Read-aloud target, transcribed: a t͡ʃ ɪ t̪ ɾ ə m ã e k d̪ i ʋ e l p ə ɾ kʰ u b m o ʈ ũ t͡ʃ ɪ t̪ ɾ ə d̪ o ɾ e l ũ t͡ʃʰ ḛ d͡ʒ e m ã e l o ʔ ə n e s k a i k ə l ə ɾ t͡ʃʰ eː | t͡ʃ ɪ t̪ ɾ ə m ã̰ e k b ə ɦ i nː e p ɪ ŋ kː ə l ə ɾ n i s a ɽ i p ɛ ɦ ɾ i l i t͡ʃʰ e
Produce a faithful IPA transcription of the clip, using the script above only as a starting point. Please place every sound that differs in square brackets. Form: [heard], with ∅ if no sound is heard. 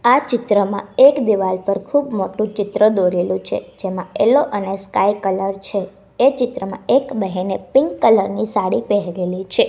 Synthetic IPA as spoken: a t͡ʃ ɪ t̪ ɾ ə m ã e k d̪ i ʋ [a] l p ə ɾ kʰ u b m o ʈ ũ t͡ʃ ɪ t̪ ɾ ə d̪ o ɾ e l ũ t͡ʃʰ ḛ d͡ʒ e m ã e l o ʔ ə n e s k a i k ə l ə ɾ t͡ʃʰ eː | t͡ʃ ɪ t̪ ɾ ə m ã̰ e k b ə ɦ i [n] e p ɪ ŋ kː ə l ə ɾ n i s a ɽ i p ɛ ɦ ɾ [e] l i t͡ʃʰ e